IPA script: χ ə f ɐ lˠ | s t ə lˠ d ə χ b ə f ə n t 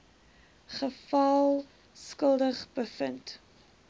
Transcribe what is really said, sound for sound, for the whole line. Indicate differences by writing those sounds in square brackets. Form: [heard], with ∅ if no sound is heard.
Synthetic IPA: χ ə f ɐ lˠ | s [k] ə lˠ d ə χ b ə f ə n t